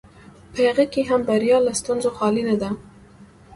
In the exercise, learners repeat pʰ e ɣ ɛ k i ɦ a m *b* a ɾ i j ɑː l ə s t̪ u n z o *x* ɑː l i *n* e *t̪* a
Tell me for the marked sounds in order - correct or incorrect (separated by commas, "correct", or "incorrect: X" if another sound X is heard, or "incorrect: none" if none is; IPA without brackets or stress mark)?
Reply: correct, correct, correct, incorrect: d̪